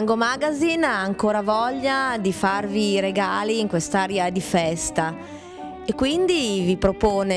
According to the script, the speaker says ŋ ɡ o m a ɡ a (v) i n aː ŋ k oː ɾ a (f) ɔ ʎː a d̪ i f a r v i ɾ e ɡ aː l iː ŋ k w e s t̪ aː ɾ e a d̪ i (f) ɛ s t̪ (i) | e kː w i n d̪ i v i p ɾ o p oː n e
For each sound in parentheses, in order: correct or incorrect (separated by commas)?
incorrect, incorrect, correct, incorrect